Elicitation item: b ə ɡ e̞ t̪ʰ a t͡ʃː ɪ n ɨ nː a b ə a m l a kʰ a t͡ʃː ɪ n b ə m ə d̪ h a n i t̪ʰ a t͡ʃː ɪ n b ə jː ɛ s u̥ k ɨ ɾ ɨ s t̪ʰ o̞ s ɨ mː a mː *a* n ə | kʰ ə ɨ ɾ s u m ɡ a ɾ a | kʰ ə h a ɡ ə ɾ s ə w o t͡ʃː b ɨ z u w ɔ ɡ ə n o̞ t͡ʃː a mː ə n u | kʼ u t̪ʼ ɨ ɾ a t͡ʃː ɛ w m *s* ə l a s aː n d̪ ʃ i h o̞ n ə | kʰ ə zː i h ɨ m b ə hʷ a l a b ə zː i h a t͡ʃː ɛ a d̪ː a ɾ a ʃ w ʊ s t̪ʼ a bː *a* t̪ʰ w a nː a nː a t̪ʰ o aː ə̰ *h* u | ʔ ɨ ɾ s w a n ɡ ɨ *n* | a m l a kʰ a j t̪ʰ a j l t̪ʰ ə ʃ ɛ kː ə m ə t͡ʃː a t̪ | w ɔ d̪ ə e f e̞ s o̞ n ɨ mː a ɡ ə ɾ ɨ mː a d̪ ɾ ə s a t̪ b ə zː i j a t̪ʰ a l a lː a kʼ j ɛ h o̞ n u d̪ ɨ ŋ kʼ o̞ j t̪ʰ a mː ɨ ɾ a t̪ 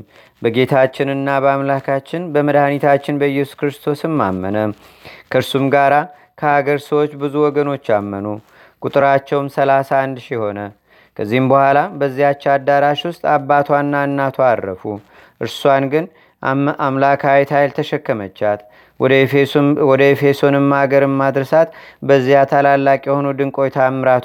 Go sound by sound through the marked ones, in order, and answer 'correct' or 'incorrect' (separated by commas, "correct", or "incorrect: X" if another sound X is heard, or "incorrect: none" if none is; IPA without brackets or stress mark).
incorrect: ə, correct, correct, incorrect: f, correct